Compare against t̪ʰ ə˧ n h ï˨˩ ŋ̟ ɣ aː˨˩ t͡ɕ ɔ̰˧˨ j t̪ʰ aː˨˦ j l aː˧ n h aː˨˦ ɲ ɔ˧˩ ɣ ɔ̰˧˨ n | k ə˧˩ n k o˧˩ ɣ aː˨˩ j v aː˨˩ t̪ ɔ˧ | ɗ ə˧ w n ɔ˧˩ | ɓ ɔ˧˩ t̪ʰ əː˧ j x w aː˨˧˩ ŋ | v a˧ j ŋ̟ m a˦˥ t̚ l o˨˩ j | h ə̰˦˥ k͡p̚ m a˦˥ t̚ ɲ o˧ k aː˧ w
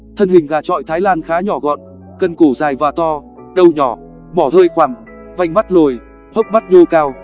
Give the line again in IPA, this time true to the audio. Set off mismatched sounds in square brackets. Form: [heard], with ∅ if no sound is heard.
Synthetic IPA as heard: t̪ʰ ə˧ n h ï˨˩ ŋ̟ ɣ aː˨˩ t͡ɕ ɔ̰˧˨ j t̪ʰ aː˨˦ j l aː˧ n [x] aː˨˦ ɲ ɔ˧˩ ɣ ɔ̰˧˨ n | k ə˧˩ n k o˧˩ [z] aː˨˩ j v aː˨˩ t̪ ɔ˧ | ɗ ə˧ w [ɲ] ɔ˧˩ | ɓ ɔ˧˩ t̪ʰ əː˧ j x w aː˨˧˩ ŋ | v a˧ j ŋ̟ m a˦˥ t̚ l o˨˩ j | h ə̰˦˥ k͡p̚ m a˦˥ t̚ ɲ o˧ k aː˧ w

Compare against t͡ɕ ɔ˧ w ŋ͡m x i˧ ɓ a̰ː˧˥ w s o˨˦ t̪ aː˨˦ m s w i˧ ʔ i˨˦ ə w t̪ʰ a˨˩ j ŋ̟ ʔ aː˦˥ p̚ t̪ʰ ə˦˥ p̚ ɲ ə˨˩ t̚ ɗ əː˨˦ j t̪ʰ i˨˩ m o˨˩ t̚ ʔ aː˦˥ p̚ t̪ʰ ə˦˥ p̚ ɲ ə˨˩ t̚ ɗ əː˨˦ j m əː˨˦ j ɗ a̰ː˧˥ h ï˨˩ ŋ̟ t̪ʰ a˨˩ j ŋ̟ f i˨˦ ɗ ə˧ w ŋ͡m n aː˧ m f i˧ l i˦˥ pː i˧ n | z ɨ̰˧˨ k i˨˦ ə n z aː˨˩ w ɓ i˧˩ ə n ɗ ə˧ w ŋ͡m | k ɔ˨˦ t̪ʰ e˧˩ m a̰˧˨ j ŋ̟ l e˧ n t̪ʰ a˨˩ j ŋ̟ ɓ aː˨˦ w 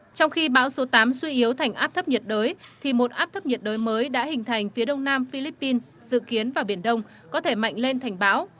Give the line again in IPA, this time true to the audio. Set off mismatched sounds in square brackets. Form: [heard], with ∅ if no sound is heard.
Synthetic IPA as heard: t͡ɕ ɔ˧ w ŋ͡m x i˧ ɓ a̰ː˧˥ w s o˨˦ t̪ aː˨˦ m s w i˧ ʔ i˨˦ ə w t̪ʰ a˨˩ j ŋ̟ ʔ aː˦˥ p̚ t̪ʰ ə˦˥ p̚ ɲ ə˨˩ t̚ ɗ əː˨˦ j t̪ʰ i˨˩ m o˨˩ t̚ ʔ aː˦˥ p̚ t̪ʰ ə˦˥ p̚ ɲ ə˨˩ t̚ ɗ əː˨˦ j m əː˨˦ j ɗ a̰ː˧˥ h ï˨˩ ŋ̟ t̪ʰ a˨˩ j ŋ̟ f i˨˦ ɗ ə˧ w ŋ͡m n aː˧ m f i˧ l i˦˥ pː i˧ n | z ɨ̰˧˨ k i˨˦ ə n [v] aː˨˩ w ɓ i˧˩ ə n ɗ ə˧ w ŋ͡m | k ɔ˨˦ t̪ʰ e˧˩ m a̰˧˨ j ŋ̟ l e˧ n t̪ʰ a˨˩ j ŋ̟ ɓ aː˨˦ w

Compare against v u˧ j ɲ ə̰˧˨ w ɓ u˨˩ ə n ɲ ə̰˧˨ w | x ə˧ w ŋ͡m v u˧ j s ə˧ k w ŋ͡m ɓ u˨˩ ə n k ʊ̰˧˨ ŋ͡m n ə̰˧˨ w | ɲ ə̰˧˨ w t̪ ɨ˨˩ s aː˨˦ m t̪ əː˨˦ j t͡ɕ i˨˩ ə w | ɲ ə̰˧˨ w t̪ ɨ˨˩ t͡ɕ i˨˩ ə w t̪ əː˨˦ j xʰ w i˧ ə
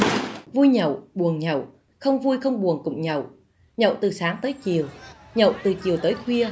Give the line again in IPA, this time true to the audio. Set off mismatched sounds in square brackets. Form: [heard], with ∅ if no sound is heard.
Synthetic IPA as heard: v u˧ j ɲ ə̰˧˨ w ɓ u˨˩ ə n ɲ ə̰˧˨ w | x ə˧ w ŋ͡m v u˧ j [x] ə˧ [∅] w ŋ͡m ɓ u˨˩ ə n k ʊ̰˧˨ ŋ͡m [ɲ] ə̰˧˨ w | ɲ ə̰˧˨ w t̪ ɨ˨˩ s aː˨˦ [ŋ] t̪ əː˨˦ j t͡ɕ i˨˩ ə w | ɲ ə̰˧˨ w t̪ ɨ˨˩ t͡ɕ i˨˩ ə w t̪ əː˨˦ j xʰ w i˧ ə

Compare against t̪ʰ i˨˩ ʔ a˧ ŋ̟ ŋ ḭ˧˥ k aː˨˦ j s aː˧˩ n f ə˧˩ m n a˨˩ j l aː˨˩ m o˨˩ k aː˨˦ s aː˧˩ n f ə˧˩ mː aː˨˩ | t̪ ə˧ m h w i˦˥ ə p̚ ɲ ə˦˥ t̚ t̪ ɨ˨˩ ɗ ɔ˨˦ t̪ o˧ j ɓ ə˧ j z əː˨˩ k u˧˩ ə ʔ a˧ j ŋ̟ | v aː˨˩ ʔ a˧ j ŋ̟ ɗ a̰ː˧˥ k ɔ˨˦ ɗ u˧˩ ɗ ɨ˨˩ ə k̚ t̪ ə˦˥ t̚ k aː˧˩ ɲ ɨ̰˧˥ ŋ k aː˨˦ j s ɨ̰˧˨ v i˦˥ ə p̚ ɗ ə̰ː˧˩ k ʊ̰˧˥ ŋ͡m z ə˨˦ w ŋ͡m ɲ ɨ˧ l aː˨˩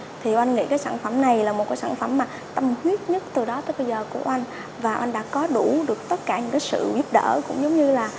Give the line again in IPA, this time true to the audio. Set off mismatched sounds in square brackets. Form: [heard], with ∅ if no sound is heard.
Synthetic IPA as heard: t̪ʰ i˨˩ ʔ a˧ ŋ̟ ŋ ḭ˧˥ k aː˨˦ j s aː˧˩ n f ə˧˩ m n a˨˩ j l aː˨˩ m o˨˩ k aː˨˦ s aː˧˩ n f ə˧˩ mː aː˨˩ | t̪ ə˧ m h w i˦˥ ə [t̚] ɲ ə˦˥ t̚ t̪ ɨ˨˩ ɗ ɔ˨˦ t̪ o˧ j ɓ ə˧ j z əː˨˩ k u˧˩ ə ʔ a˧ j ŋ̟ | v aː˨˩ ʔ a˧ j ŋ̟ ɗ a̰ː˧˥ k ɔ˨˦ ɗ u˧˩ ɗ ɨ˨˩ ə k̚ t̪ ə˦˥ t̚ k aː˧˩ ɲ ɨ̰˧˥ ŋ k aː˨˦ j s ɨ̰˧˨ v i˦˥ ə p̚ ɗ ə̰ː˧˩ k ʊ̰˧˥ ŋ͡m z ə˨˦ w ŋ͡m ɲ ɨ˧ l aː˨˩

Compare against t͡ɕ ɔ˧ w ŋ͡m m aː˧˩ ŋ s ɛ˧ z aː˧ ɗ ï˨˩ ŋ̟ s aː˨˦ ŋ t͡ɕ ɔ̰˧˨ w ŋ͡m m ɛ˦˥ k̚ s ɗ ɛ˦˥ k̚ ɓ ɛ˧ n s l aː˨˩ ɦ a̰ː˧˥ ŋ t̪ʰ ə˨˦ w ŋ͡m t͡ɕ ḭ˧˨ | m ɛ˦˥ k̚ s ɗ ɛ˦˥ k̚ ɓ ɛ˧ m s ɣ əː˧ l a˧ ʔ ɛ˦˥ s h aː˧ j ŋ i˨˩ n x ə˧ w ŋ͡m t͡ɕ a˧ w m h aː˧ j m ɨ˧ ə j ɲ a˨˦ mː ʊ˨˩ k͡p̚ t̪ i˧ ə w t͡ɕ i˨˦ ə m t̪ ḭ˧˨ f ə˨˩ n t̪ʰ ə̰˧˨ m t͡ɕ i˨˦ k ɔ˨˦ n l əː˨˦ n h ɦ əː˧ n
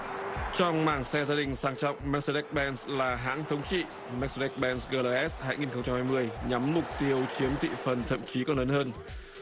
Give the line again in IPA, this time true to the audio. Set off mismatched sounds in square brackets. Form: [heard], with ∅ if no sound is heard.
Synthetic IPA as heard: t͡ɕ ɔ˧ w ŋ͡m m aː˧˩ ŋ s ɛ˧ z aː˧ ɗ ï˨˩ ŋ̟ s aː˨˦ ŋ t͡ɕ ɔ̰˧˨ w ŋ͡m m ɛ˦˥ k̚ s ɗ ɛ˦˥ k̚ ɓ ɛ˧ n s l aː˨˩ ɦ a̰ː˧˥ ŋ t̪ʰ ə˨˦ w ŋ͡m t͡ɕ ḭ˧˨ | m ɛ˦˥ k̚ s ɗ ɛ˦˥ k̚ ɓ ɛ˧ [n] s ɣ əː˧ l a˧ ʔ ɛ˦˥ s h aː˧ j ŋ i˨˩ n x ə˧ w ŋ͡m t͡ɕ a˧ [∅] m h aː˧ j m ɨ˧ ə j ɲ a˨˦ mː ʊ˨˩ k͡p̚ t̪ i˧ ə w t͡ɕ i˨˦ ə m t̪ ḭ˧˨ f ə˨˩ n t̪ʰ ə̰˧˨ m t͡ɕ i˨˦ k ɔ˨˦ n l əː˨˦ n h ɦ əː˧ n

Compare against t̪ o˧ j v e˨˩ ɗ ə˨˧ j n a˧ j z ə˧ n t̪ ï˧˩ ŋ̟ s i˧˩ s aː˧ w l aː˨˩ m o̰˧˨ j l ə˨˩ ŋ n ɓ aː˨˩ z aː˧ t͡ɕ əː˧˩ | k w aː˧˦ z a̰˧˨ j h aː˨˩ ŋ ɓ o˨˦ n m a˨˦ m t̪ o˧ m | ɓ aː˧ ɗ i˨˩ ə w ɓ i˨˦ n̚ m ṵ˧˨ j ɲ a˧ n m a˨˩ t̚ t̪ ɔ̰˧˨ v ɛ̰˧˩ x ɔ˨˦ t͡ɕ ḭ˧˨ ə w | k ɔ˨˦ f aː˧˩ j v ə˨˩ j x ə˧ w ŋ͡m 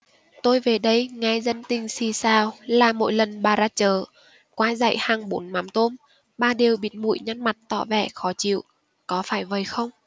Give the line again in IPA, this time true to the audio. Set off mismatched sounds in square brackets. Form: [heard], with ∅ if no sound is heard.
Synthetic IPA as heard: t̪ o˧ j v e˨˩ ɗ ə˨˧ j [ŋ] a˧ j z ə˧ n t̪ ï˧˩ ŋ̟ s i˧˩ s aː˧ w l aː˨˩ m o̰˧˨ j l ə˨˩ [∅] n ɓ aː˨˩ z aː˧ t͡ɕ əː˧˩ | k w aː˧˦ z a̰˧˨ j h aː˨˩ ŋ ɓ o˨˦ n m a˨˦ m t̪ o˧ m | ɓ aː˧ ɗ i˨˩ ə w ɓ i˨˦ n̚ m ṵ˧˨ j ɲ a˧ n m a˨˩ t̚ t̪ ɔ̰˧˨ v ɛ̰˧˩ x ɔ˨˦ t͡ɕ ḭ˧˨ ə w | k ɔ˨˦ f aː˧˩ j v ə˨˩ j x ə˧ w ŋ͡m

